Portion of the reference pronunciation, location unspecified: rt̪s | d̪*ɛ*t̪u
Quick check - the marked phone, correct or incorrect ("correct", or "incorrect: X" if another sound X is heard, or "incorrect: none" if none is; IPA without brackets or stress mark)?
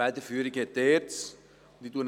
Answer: incorrect: i